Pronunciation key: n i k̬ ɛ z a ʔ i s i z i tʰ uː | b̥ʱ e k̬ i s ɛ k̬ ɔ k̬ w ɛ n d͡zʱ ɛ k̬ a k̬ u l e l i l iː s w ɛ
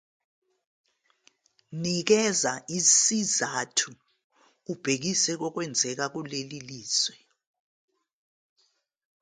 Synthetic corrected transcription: n i k̬ ɛ z a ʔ i s i z a tʰ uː | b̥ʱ e k̬ i s ɛ k̬ ɔ k̬ w ɛ n d͡zʱ ɛ k̬ a k̬ u l e l i l iː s w ɛ